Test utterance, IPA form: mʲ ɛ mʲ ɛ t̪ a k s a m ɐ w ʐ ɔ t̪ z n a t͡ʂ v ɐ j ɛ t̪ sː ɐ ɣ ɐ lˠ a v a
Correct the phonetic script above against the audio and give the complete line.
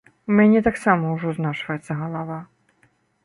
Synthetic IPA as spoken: mʲ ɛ nʲ ɛ t̪ a k s a m ɐ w ʐ ɔ z n a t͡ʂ v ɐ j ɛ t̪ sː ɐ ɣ ɐ lˠ a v a

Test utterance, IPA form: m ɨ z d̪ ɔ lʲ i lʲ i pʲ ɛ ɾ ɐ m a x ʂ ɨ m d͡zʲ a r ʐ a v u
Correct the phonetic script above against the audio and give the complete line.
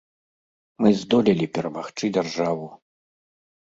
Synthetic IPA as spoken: m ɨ z d̪ ɔ lʲ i lʲ i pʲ ɛ ɾ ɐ m a x t͡ʂ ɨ d͡zʲ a r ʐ a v u

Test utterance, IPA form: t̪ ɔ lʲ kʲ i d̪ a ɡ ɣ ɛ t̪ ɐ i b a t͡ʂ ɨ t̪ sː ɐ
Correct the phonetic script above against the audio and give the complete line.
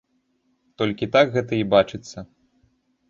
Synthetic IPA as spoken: t̪ ɔ lʲ kʲ i t̪ a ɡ ɣ ɛ t̪ ɐ i b a t͡ʂ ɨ t̪ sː ɐ

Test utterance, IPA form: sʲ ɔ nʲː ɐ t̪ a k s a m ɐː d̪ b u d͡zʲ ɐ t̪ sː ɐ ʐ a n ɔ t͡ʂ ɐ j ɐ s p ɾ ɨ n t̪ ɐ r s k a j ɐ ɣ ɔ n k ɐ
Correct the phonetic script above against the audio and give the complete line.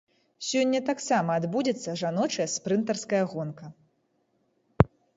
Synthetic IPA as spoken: sʲ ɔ nʲː ɐ t̪ a k s a m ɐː d̪ b u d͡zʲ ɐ t̪ sː ɐ ʐ a n ɔ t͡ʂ ɐ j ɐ s p ɾ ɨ n t̪ ɐ r s k ɐ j ɐ ɣ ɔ n k ɐ

